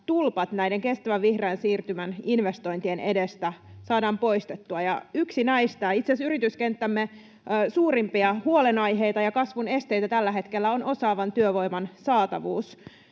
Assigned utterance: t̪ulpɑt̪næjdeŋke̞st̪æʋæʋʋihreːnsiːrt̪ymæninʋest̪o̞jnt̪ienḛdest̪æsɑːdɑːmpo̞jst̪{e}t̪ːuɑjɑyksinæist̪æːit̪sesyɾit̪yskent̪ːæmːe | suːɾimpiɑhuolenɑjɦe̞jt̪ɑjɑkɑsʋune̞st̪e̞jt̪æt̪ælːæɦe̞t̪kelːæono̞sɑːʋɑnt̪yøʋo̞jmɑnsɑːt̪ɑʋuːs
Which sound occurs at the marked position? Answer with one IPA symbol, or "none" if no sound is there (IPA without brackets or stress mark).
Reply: e